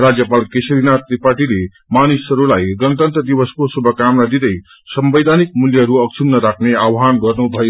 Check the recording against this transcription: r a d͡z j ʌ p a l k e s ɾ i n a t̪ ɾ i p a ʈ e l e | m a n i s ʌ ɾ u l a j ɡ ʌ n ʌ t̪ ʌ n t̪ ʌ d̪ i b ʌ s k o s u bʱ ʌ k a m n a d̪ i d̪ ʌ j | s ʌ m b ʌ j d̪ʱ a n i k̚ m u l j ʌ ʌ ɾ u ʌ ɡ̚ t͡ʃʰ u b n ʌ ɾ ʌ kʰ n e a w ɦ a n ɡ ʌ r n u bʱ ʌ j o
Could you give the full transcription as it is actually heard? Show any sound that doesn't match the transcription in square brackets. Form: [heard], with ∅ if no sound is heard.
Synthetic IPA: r a d͡z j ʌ p a l k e s ɾ i n a t̪ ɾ i p a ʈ [i] l e | m a n i s ʌ ɾ u l a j ɡ ʌ n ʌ t̪ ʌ n t̪ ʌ d̪ i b ʌ s k o s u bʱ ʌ k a m n a d̪ i d̪ ʌ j | s ʌ m b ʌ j d̪ʱ a n i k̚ m u l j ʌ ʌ ɾ u ʌ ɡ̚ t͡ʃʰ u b n ʌ ɾ [a] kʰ n e a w ɦ a n ɡ ʌ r n u bʱ ʌ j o